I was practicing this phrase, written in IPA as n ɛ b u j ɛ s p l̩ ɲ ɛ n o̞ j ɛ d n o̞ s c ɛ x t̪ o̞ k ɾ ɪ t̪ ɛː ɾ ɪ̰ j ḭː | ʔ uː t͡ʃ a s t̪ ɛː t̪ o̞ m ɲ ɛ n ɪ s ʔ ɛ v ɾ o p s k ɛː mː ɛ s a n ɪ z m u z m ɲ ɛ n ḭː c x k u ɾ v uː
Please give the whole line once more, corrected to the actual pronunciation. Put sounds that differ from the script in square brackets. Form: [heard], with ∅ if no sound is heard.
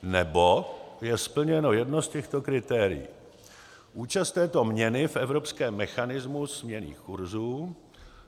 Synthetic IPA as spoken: n ɛ b [o] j ɛ s p l̩ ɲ ɛ n o̞ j ɛ d n o̞ s c ɛ x t̪ o̞ k ɾ ɪ t̪ ɛː ɾ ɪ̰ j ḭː | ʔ uː t͡ʃ a s t̪ ɛː t̪ o̞ m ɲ ɛ n ɪ [f] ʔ ɛ v ɾ o p s k ɛː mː ɛ [x] a n ɪ z m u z m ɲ ɛ n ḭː [∅] x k u ɾ [z] uː